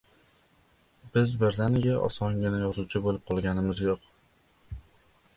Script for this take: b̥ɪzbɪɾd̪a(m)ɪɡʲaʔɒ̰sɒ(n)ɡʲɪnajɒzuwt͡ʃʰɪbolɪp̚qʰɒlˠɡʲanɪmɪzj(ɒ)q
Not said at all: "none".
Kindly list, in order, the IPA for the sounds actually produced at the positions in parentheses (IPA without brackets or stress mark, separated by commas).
n, ŋ, o